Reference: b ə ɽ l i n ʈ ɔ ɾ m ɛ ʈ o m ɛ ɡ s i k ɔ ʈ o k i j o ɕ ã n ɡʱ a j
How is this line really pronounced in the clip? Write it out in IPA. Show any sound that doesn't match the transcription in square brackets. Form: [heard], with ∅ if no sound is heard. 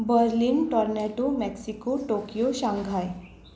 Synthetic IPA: b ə [ɾ] l i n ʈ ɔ ɾ [n] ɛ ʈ o m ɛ [k] s i k [o] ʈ o k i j o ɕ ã [ŋ] ɡʱ a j